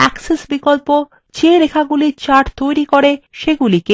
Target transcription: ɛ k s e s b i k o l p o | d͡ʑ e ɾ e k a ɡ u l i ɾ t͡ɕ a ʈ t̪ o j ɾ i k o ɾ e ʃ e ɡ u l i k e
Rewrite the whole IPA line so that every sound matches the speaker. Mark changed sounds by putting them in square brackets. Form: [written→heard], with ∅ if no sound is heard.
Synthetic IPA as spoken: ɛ k s e s b i k o l p o | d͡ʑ e ɾ e [k→kʰ] a ɡ u l i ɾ t͡ɕ a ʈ t̪ o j ɾ i k o ɾ e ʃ e ɡ u l i k e